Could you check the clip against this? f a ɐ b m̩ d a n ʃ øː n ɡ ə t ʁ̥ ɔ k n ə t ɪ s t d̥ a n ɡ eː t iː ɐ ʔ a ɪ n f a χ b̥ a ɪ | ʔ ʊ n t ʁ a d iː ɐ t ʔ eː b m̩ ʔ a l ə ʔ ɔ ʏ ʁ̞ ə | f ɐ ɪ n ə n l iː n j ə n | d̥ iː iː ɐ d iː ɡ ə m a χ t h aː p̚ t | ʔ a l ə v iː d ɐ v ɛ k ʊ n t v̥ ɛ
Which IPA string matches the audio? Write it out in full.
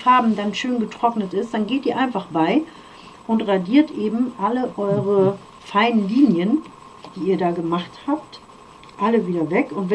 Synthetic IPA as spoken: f a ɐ b m̩ d a n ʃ øː n ɡ ə t ʁ̥ ɔ k n ə t ɪ s t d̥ a n ɡ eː t iː ɐ ʔ a ɪ n f a χ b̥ a ɪ | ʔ ʊ n t ʁ a d iː ɐ t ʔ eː b m̩ ʔ a l ə ʔ ɔ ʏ ʁ̞ ə | f a ɪ n ə n l iː n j ə n | d̥ iː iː ɐ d aː ɡ ə m a χ t h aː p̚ t | ʔ a l ə v iː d ɐ v ɛ k ʊ n t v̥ ɛ